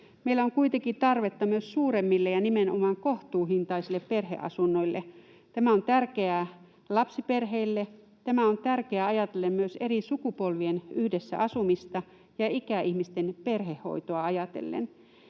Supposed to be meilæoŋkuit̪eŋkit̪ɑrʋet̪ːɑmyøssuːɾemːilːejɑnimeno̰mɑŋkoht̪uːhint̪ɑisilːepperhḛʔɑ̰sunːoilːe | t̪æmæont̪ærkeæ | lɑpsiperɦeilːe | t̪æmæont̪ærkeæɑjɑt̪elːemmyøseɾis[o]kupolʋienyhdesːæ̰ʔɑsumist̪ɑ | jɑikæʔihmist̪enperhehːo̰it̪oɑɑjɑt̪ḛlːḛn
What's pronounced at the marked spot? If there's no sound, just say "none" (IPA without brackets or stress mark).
u